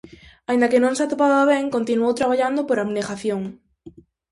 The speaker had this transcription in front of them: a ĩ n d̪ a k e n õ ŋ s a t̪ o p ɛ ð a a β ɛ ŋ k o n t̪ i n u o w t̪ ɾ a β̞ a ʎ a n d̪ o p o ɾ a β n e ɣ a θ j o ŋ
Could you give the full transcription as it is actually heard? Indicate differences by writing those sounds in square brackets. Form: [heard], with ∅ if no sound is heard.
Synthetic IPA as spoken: a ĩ n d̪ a k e n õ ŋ s a t̪ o p [a] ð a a β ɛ ŋ k o n t̪ i n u o w t̪ ɾ a β̞ a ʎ a n d̪ o p o ɾ a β n e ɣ a θ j o ŋ